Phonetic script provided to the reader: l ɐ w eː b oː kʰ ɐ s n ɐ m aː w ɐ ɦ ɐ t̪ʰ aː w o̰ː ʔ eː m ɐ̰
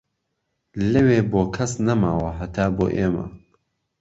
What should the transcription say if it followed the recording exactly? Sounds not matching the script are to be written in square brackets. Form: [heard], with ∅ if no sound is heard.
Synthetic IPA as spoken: l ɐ w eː b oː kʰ ɐ s n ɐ m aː w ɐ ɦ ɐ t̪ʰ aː [b] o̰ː ʔ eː m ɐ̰